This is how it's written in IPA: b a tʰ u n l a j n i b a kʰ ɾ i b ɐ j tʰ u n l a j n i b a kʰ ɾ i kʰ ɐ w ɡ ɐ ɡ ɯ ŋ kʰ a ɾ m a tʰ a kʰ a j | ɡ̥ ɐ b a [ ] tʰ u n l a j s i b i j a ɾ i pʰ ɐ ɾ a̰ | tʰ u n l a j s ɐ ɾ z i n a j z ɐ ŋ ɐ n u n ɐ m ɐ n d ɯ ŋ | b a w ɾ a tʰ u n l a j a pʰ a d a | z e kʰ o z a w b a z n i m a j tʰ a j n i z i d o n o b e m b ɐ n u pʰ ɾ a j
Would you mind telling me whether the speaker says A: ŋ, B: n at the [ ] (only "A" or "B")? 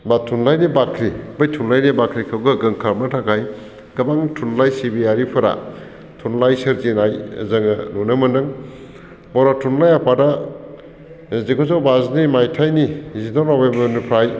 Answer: A